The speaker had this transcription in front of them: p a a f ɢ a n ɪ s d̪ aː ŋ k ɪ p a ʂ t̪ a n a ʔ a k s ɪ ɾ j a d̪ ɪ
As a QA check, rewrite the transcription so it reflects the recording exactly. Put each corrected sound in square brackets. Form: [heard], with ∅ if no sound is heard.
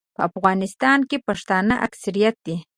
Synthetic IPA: p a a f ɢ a n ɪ s [t̪] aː ŋ k ɪ p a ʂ t̪ a n a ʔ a k s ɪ ɾ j a [t̪] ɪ